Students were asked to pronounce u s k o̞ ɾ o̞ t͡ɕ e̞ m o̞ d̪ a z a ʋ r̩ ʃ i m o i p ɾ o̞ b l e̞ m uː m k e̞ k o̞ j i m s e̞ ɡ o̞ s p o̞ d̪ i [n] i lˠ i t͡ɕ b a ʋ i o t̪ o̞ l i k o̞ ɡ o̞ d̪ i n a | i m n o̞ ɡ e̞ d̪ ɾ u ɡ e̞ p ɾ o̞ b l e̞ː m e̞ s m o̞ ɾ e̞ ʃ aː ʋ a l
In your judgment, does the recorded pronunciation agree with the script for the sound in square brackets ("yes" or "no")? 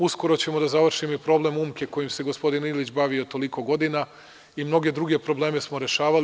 yes